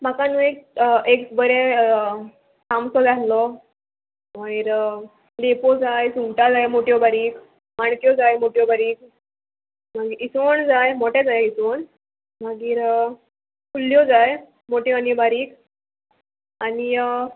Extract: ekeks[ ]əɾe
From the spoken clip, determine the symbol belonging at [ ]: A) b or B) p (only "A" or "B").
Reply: A